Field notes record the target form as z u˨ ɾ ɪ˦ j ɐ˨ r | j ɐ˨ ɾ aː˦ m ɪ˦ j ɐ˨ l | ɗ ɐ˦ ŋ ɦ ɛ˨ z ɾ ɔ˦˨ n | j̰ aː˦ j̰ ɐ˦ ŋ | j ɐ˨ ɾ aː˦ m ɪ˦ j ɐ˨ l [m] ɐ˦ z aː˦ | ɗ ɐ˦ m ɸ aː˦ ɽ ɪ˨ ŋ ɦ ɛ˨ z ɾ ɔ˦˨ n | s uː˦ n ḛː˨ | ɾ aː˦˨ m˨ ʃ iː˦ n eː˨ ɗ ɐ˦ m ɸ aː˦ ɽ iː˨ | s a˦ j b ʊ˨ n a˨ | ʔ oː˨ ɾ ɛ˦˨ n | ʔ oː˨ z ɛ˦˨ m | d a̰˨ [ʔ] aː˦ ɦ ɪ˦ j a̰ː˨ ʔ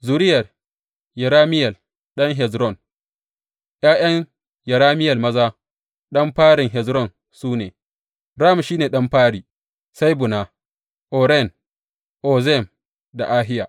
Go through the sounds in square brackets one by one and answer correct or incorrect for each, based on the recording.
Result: correct, correct

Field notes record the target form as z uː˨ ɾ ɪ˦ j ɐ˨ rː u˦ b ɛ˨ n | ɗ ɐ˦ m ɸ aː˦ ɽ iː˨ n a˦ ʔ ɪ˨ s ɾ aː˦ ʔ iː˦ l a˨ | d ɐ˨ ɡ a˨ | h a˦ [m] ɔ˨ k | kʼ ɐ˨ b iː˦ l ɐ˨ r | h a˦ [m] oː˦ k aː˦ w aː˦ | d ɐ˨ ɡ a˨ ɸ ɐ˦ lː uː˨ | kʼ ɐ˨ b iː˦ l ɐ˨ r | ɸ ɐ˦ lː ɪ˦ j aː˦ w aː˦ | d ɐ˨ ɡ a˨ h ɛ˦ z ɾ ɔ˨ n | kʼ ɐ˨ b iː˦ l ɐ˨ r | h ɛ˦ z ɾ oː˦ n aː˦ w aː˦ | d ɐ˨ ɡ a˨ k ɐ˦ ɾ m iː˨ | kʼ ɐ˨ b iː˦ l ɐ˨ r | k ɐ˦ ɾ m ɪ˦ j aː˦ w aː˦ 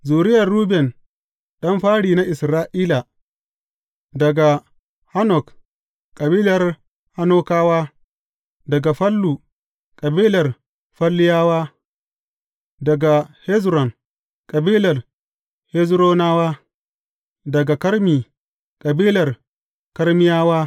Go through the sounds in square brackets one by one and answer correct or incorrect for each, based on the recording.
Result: incorrect: n, incorrect: n

